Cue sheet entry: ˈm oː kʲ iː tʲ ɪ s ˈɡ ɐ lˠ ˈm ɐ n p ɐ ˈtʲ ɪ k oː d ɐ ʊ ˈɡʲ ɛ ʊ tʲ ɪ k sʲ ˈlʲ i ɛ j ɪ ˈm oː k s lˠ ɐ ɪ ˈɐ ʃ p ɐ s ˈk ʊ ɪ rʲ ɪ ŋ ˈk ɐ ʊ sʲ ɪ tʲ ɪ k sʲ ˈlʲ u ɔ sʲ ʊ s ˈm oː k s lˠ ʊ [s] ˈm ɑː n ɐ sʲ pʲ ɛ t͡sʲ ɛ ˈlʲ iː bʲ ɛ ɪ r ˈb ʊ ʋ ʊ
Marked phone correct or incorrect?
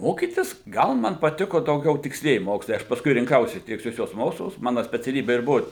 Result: correct